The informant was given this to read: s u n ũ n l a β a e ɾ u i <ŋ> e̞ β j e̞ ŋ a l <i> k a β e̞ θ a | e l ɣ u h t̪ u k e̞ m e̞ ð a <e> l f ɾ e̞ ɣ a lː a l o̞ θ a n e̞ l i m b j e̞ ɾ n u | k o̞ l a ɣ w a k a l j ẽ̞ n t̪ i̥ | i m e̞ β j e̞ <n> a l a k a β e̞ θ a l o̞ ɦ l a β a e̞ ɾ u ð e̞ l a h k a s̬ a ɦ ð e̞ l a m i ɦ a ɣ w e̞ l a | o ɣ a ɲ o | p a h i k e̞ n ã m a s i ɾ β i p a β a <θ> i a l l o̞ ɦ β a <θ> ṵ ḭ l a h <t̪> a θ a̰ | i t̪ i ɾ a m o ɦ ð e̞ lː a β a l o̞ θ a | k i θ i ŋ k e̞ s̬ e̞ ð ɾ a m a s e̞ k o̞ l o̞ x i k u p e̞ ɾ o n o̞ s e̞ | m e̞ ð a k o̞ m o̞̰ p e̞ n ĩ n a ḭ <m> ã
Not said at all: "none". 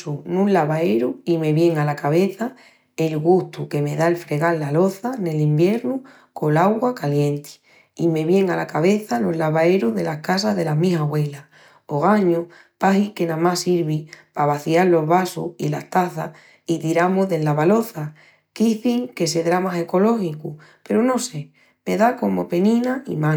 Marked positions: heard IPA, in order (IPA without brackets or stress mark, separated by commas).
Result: m, a, e, ŋ, θ, s, t̪, m